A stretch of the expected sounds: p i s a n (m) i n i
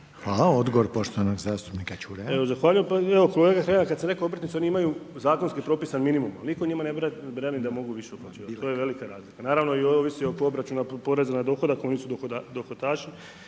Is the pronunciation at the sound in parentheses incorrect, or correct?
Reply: correct